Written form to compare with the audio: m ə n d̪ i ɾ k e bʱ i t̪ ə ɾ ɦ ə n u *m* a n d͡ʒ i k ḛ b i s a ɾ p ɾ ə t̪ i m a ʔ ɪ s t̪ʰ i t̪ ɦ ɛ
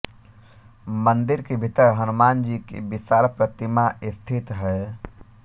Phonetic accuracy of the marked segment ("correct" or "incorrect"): correct